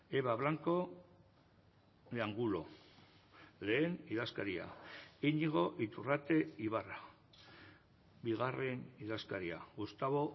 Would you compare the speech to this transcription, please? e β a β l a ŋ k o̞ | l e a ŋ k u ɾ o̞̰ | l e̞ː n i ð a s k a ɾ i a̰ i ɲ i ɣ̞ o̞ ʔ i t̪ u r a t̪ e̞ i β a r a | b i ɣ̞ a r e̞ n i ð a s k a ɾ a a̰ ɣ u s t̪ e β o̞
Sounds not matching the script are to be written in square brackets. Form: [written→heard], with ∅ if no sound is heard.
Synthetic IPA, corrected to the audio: e β a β l a ŋ k o̞ | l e a ŋ [k→ɡ] u [ɾ→l] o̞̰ | l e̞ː n i ð a s k a ɾ i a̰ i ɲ i ɣ̞ o̞ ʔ i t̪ u r a t̪ e̞ i β a r a | b i ɣ̞ a r e̞ n i ð a s k a ɾ [a→i] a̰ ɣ u s t̪ [e→a] β o̞